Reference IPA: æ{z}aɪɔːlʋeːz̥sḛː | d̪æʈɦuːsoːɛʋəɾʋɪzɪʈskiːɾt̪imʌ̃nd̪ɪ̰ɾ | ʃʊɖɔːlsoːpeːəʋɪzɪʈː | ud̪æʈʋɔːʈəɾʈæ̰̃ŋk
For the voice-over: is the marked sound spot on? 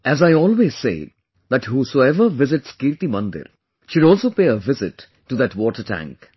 yes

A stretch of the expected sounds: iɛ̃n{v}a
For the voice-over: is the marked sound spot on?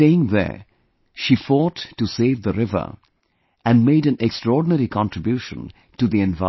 yes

